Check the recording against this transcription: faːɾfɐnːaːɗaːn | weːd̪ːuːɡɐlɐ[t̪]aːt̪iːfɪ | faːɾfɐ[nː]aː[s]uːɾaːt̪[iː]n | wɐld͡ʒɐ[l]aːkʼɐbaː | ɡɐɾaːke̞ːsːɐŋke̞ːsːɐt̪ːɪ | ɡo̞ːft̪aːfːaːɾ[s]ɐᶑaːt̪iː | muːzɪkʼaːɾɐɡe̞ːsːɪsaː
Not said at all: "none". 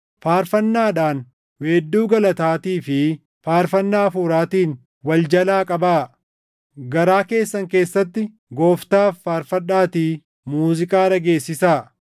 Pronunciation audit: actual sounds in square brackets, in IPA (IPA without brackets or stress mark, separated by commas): t̪, nː, f, iː, l, f